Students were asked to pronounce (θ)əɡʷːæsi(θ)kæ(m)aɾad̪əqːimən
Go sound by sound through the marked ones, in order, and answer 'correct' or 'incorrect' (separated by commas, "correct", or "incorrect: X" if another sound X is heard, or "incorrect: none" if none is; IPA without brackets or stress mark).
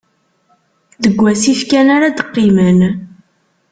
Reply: incorrect: ð, incorrect: f, incorrect: n